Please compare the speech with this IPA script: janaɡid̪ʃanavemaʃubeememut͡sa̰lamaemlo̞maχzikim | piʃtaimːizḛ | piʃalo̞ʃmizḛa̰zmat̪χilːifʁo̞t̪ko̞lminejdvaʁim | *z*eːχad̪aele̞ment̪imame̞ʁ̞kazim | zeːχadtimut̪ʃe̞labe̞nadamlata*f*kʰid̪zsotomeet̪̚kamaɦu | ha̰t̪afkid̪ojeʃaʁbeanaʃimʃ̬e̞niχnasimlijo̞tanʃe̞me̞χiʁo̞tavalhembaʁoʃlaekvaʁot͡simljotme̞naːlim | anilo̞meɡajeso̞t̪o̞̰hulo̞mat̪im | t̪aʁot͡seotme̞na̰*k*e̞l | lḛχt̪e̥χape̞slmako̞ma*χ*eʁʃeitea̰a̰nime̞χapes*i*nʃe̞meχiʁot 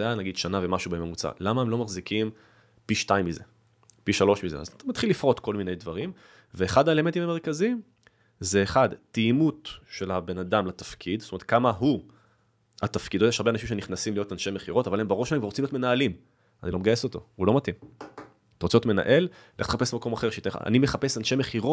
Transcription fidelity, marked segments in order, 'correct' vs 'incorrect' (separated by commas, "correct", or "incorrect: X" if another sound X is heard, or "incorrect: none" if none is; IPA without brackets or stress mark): incorrect: v, correct, incorrect: ʔ, correct, incorrect: a